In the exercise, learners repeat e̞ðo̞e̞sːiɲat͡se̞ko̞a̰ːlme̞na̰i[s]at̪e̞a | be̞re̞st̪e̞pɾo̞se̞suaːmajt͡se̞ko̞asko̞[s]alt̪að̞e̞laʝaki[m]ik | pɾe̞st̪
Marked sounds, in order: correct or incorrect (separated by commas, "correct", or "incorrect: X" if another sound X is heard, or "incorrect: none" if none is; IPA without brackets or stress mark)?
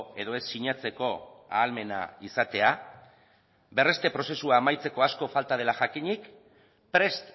correct, incorrect: f, incorrect: ɲ